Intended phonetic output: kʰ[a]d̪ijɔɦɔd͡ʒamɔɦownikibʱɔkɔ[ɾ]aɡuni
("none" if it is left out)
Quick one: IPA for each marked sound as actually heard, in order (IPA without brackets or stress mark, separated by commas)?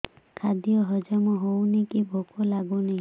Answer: a, l